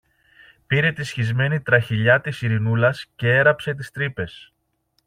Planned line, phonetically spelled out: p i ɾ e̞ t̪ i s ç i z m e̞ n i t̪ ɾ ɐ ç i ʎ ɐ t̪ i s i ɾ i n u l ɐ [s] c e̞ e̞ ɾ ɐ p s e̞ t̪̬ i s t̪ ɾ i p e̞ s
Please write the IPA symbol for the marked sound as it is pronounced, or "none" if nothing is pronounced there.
s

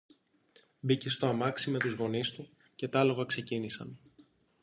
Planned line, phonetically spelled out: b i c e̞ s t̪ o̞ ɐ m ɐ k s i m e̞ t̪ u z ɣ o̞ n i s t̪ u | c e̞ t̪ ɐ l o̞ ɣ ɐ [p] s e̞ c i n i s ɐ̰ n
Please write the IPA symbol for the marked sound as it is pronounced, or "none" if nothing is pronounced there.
k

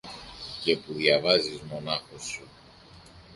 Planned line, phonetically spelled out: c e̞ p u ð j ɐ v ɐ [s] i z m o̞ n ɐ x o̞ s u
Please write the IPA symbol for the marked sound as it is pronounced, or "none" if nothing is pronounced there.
z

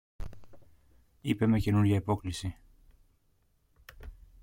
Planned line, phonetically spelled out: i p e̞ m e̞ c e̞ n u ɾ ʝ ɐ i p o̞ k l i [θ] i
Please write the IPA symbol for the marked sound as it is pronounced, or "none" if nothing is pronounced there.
s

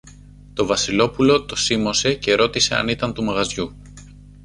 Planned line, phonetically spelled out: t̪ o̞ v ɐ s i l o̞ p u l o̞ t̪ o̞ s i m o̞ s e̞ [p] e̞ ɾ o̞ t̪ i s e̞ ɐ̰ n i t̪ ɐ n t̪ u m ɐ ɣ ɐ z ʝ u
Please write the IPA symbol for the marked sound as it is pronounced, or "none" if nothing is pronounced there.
c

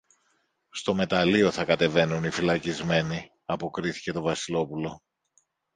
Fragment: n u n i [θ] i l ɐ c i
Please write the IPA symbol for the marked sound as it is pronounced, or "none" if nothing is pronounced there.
f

